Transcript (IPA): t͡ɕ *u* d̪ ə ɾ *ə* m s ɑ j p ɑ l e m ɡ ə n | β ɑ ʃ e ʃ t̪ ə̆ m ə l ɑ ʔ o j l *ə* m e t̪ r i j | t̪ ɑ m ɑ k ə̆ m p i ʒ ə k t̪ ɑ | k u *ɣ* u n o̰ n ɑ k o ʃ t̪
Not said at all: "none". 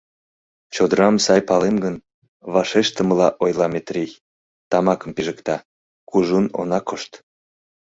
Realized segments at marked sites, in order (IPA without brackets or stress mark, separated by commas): o, ɑ, ɑ, ʒ